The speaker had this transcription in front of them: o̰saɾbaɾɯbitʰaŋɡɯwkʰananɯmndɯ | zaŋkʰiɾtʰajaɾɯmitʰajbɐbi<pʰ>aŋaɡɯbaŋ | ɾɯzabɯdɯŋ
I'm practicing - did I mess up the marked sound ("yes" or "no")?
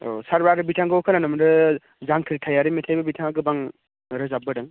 yes